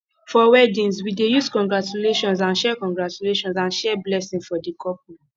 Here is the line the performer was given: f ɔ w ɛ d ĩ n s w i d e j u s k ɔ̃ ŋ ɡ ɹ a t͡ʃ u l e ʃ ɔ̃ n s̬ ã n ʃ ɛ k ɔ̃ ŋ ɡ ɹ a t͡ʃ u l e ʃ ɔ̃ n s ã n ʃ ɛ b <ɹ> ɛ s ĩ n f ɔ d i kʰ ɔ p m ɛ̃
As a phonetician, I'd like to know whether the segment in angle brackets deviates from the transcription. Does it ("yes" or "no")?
yes